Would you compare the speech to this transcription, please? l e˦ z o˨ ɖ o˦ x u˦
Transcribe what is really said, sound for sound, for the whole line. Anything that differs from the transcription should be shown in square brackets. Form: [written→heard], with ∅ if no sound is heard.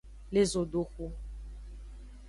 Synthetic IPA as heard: l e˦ z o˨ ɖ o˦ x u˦